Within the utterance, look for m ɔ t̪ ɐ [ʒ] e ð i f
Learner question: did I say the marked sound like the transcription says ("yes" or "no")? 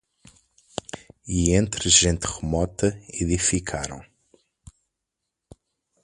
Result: no